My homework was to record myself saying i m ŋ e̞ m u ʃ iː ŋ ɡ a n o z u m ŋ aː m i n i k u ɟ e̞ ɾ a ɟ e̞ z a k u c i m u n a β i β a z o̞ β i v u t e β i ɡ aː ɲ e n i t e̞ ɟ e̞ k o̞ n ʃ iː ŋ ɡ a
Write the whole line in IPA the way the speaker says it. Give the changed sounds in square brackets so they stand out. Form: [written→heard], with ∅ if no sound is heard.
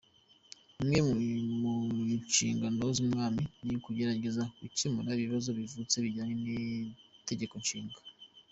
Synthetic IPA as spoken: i m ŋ e̞ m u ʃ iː ŋ ɡ a n o z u m ŋ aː m i n i k u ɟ e̞ ɾ a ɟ e̞ z a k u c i m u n a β i β a z o̞ β i v u [t→t͡s] e β i [ɡ→ɟ] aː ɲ e n i t e̞ ɟ e̞ k o̞ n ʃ iː ŋ ɡ a